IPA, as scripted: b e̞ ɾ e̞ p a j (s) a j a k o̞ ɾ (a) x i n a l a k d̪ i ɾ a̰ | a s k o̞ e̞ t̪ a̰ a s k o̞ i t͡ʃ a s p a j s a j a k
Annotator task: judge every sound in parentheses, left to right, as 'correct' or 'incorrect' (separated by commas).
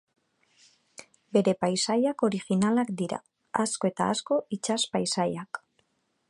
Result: correct, incorrect